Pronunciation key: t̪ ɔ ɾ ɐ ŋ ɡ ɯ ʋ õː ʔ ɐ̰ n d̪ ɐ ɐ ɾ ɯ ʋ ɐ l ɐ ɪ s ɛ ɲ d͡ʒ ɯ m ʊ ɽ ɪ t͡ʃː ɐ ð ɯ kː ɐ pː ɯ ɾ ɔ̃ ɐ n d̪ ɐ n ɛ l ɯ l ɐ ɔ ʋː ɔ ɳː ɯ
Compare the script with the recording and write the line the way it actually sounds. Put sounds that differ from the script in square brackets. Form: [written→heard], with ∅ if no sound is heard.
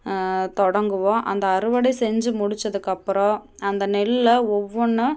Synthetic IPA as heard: t̪ ɔ [ɾ→ɽ] ɐ ŋ ɡ ɯ ʋ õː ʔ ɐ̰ n d̪ ɐ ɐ ɾ ɯ ʋ ɐ [l→ɽ] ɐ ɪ s ɛ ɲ d͡ʒ ɯ m ʊ ɽ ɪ t͡ʃː ɐ ð ɯ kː ɐ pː ɯ ɾ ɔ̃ ɐ n d̪ ɐ n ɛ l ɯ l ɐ ɔ ʋː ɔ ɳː ɯ